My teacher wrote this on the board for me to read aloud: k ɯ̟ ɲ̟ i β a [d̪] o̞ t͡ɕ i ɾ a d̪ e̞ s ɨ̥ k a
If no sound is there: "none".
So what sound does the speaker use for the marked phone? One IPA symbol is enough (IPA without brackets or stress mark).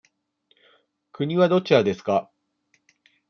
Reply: d̪